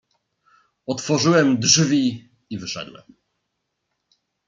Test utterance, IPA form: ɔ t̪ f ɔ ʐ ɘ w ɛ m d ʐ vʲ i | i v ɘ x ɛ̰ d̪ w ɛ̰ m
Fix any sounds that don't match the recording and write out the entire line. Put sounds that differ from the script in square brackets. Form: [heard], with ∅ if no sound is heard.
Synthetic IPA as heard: ɔ t̪ f ɔ ʐ ɘ w ɛ m d ʐ vʲ i | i v ɘ [ʂ] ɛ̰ d̪ w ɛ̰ m